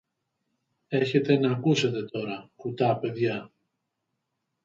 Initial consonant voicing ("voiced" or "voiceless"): voiceless